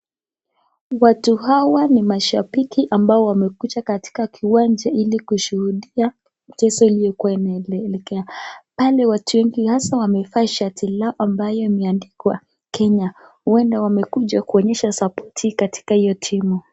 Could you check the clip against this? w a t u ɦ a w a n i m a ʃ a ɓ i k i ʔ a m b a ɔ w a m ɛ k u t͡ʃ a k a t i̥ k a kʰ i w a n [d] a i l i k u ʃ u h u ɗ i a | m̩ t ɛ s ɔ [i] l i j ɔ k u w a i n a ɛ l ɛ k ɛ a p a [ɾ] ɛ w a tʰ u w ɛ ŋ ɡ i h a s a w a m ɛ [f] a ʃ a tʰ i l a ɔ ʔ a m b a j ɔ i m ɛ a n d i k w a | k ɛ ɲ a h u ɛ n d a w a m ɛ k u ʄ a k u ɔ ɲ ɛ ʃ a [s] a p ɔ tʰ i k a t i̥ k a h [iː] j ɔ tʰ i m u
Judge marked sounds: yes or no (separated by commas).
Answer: no, yes, no, yes, yes, no